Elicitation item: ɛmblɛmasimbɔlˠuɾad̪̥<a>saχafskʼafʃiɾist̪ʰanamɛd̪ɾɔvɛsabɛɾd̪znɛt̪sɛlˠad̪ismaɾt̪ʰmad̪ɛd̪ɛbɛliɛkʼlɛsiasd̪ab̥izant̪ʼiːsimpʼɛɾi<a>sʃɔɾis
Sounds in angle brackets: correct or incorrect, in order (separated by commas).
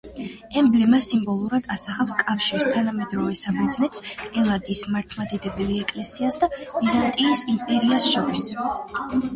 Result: correct, correct